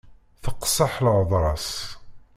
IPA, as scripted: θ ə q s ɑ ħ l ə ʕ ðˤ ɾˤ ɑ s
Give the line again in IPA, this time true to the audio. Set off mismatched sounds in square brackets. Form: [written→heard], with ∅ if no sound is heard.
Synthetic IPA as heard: θ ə q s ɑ ħ l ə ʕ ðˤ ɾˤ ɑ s